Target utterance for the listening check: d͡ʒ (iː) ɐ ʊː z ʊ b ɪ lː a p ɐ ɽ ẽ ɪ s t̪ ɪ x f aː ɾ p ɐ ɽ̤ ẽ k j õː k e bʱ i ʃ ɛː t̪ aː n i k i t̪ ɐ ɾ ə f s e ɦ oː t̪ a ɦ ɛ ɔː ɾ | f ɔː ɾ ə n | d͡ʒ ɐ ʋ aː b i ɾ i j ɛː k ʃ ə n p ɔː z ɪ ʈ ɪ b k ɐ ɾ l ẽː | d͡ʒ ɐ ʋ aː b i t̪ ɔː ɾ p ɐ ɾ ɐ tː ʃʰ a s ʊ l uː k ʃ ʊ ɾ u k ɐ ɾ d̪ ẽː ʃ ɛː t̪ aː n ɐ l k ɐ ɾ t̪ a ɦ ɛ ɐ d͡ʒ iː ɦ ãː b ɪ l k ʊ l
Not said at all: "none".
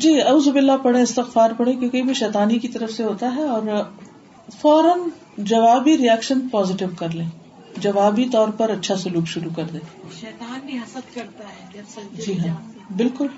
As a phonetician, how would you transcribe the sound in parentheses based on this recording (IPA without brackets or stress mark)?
iː